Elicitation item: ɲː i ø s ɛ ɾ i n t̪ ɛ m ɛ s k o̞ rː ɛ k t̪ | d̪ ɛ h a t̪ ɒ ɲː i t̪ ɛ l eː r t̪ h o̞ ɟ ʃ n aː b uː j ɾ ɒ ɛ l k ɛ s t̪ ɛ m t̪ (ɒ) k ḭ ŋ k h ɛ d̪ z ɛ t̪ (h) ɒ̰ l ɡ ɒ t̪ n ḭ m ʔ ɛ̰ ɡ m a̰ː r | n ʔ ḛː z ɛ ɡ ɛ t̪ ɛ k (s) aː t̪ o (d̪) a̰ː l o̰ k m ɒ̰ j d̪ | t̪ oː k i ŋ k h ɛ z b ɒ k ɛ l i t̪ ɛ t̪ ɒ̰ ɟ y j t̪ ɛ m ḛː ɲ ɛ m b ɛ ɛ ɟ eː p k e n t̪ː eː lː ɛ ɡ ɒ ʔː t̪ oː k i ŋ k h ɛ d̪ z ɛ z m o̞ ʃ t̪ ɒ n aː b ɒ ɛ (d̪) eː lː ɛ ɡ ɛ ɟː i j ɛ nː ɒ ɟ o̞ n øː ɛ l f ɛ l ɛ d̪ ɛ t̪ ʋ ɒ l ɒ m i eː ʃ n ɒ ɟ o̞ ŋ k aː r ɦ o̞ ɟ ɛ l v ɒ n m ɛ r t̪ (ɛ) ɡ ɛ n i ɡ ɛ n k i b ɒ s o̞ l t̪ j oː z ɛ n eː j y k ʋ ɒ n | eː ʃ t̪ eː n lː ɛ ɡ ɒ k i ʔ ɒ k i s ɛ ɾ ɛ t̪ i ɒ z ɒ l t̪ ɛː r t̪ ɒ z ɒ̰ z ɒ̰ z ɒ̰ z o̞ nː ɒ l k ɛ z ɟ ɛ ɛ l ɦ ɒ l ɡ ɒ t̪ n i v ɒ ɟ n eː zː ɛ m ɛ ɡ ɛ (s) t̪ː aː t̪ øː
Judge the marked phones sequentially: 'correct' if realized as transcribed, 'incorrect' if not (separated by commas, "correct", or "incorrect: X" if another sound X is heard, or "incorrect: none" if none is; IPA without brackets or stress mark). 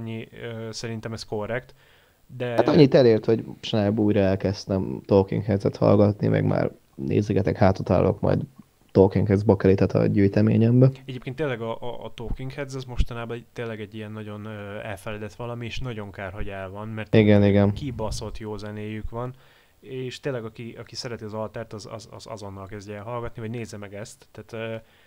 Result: incorrect: o, correct, incorrect: h, incorrect: t̪, incorrect: t̪, incorrect: i, correct